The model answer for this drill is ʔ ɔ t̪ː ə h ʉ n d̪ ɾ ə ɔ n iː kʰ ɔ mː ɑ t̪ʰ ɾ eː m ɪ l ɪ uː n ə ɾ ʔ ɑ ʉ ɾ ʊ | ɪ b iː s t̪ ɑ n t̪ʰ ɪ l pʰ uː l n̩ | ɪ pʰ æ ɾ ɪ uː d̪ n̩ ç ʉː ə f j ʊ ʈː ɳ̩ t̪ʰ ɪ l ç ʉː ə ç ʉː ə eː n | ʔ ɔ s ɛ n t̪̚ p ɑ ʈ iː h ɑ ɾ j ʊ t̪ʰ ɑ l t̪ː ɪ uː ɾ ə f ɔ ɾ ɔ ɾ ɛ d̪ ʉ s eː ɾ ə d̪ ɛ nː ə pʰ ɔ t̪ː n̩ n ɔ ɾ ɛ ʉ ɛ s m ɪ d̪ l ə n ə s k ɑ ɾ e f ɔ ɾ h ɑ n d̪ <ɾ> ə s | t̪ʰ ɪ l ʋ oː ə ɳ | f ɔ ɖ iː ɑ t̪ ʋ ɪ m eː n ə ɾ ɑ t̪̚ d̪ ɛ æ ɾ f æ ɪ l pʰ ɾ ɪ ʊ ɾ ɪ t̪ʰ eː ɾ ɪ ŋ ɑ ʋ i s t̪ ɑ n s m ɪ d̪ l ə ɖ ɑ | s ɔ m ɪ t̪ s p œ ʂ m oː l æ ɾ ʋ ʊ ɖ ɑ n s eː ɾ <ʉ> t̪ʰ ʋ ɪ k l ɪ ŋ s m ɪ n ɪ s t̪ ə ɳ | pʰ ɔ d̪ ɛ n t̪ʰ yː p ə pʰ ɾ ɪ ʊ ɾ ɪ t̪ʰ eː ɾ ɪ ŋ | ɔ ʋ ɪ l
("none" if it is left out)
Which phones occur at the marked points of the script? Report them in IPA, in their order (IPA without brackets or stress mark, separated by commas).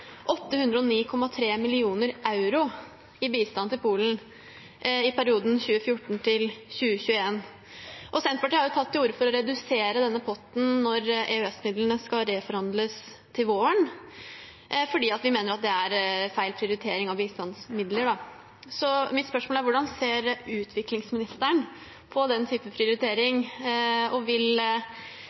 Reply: l, ʉː